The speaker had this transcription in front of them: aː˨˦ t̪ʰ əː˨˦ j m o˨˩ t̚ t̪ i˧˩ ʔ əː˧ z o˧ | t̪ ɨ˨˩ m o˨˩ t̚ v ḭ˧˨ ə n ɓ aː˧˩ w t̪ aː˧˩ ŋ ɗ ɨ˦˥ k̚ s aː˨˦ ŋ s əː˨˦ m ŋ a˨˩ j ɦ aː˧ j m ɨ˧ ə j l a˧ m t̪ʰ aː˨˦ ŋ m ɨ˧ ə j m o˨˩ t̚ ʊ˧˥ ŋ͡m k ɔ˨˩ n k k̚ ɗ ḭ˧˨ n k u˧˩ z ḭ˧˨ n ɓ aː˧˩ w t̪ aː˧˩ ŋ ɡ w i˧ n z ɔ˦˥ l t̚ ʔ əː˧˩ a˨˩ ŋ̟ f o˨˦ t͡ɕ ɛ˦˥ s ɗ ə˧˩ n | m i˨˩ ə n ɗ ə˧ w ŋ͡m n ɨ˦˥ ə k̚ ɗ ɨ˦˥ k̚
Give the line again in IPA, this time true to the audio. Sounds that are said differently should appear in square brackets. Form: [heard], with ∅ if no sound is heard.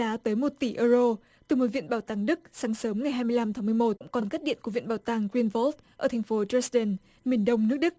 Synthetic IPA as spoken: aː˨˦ [t̪] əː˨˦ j m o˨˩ t̚ t̪ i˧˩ ʔ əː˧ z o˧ | t̪ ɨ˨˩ m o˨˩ t̚ v ḭ˧˨ ə n ɓ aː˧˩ w t̪ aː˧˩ ŋ ɗ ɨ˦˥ k̚ s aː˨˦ ŋ s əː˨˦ m ŋ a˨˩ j ɦ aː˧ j m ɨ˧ ə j l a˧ m t̪ʰ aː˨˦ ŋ m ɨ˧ ə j m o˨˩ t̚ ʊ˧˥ ŋ͡m k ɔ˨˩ n k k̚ ɗ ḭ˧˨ n k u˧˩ [v] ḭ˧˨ n ɓ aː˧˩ w t̪ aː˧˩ ŋ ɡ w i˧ n [v] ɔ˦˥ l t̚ ʔ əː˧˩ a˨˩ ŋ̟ f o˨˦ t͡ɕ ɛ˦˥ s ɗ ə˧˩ n | m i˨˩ ə n ɗ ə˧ w ŋ͡m n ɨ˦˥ ə k̚ ɗ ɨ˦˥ k̚